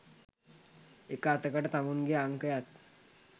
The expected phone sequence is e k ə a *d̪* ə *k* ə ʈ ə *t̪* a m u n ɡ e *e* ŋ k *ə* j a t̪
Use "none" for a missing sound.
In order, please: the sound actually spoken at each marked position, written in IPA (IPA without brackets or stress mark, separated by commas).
t̪, k, t̪, a, ə